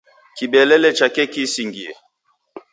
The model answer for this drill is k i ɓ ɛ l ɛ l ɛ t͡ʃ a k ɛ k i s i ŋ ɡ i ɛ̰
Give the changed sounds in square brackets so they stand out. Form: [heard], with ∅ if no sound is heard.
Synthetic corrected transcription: k i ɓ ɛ l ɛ l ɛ t͡ʃ a k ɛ k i s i ŋ ɡ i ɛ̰